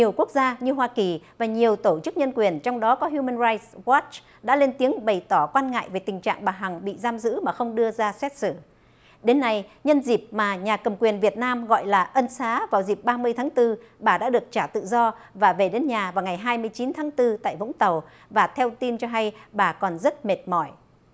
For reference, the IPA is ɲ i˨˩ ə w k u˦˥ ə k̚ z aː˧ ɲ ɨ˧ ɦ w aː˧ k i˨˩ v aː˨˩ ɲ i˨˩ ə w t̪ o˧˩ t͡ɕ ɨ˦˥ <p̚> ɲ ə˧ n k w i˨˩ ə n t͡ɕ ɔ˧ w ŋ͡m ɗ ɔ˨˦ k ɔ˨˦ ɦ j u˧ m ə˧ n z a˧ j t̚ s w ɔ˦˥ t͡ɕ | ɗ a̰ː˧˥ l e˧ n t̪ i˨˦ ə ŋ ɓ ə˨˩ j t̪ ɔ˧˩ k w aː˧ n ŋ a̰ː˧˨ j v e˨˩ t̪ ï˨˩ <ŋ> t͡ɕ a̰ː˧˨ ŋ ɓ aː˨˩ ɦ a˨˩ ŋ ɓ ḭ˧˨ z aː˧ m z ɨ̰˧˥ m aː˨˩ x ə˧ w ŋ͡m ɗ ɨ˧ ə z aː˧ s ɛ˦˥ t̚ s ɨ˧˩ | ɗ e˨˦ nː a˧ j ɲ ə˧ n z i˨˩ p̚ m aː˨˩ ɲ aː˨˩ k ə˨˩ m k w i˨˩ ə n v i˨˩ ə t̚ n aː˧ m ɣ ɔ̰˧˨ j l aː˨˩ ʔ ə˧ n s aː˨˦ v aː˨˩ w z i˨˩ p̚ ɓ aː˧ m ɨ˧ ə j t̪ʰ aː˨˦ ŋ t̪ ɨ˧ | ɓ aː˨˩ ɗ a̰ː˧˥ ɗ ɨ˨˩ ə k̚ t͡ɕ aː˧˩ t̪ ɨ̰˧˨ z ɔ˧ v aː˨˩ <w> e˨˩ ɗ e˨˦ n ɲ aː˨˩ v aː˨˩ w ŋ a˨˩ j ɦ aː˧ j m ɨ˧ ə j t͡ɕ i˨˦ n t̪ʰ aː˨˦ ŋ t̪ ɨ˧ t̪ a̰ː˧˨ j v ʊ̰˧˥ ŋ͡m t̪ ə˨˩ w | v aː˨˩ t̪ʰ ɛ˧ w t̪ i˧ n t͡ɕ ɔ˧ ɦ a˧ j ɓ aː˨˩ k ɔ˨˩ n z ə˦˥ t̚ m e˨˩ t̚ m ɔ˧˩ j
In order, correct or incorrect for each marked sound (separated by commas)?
incorrect, correct, incorrect